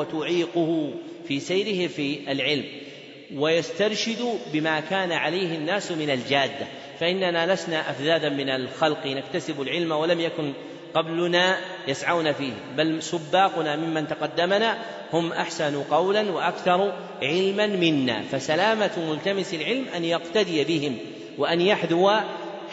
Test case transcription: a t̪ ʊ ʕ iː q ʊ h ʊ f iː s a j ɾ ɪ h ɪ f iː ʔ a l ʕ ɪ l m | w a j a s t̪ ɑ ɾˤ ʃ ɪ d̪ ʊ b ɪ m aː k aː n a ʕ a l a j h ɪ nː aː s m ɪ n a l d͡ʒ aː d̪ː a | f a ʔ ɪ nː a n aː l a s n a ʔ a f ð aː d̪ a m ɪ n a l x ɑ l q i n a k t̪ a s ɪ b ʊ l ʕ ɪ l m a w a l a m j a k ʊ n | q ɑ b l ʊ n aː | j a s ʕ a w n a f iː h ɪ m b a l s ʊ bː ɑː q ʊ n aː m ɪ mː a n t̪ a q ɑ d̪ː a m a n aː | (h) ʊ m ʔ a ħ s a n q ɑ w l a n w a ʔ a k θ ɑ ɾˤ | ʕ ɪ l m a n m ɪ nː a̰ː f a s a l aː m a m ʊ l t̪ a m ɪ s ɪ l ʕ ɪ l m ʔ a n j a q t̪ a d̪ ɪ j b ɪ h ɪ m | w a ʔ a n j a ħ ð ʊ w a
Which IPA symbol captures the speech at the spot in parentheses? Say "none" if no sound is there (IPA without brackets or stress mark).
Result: h